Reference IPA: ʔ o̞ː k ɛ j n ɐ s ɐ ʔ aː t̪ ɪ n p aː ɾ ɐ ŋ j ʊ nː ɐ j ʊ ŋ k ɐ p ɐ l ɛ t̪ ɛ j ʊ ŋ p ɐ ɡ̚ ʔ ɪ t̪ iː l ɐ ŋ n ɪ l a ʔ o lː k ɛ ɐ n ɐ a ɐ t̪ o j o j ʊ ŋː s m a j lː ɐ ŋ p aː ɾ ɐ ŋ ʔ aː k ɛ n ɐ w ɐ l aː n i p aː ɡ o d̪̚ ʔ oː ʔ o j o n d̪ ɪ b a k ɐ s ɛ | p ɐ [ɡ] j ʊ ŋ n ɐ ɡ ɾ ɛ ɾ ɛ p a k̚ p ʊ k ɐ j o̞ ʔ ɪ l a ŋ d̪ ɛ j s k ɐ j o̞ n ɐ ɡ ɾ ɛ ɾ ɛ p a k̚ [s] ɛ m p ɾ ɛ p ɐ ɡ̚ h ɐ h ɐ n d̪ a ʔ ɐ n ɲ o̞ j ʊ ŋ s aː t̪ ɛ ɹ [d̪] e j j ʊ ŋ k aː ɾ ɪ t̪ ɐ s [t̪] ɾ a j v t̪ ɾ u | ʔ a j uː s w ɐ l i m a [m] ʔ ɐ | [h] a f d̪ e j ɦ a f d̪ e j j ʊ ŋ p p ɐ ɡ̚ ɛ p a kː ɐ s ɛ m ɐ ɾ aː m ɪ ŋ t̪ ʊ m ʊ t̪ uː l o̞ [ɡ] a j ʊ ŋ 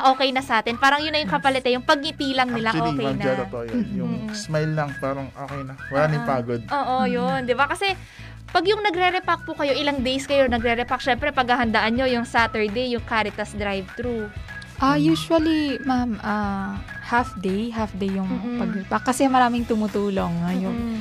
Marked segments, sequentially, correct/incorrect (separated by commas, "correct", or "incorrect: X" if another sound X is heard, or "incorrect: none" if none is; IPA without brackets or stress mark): correct, incorrect: ʃ, correct, incorrect: d̪, correct, correct, incorrect: ŋ